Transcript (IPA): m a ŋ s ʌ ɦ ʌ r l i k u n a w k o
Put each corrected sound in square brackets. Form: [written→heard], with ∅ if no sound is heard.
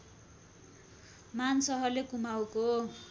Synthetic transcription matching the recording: m a [ŋ→n] s ʌ ɦ ʌ r l [i→e] k u [n→m] a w k o

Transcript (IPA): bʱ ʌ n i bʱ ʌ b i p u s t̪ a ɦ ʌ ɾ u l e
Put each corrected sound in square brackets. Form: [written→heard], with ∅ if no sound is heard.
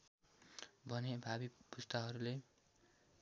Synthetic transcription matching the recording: bʱ ʌ n [i→e] bʱ [ʌ→a] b i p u s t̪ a ɦ ʌ ɾ u l e

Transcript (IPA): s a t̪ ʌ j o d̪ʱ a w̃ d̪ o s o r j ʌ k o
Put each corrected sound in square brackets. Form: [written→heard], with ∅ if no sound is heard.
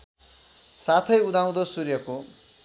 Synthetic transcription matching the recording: s a [t̪→t̪ʰ] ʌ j [o→u] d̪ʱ a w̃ d̪ o s [o→u] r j ʌ k o

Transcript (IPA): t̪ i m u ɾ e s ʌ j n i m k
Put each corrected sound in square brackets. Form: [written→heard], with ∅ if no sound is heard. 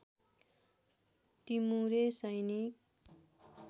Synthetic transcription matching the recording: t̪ i m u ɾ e s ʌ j n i [m→∅] k

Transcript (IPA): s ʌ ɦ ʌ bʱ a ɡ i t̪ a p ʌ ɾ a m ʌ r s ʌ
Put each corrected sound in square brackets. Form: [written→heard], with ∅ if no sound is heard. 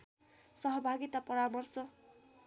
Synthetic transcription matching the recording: s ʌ ɦ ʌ bʱ a ɡ i t̪ a p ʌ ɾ a m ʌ r s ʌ

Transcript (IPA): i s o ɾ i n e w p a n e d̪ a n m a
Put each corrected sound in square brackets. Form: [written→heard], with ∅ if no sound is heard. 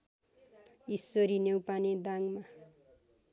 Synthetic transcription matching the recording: i s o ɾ i n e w p a n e d̪ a [n→ŋ] m a

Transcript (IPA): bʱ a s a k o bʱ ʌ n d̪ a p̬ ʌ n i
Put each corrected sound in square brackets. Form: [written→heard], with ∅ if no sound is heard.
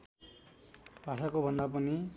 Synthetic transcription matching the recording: bʱ a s a k o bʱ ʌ n d̪ a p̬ ʌ n i

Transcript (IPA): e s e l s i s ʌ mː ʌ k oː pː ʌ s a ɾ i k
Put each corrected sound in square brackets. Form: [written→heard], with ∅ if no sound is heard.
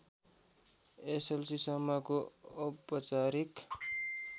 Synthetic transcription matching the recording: e s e l s i s ʌ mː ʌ k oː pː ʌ [s→t͡s] a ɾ i k

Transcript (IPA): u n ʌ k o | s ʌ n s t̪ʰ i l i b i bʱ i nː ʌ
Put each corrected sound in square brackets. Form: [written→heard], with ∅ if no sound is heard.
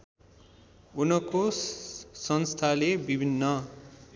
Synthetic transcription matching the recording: u n ʌ k o | s ʌ n s t̪ʰ [i→a] l [i→e] b i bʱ i nː ʌ

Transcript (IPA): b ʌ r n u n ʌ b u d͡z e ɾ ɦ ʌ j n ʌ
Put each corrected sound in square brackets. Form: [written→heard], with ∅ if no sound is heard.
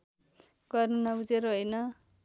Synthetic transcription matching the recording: [b→ɡ] ʌ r n u n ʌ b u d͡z e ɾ ɦ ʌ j n ʌ

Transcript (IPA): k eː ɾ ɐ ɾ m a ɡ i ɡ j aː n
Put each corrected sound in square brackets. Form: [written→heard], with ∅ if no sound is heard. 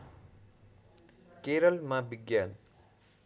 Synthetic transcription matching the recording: k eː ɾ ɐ [ɾ→l] m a [ɡ→b] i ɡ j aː n

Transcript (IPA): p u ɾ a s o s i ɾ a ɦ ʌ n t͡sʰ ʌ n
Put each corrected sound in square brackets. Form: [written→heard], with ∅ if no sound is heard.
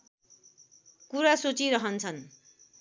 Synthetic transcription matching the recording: [p→k] u ɾ a s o [s→t͡s] i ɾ [a→ʌ] ɦ ʌ n t͡sʰ ʌ n

